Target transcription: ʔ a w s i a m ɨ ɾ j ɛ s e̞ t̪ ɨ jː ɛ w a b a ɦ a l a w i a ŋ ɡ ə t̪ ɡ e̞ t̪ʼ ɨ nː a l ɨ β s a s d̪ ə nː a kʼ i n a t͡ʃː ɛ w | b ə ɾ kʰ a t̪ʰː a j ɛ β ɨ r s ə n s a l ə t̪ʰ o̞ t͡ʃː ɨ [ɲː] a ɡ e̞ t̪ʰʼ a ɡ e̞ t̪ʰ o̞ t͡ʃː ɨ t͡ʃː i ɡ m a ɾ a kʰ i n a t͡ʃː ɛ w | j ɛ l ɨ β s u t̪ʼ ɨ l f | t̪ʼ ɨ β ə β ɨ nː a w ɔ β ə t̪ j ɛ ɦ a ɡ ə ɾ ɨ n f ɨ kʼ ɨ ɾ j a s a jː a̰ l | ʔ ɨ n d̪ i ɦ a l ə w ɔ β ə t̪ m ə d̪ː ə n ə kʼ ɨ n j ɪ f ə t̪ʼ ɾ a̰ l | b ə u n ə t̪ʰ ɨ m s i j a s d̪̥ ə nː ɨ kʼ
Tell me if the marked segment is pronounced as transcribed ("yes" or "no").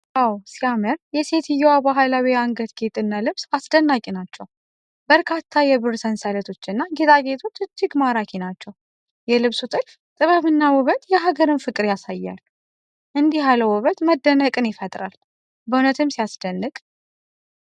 no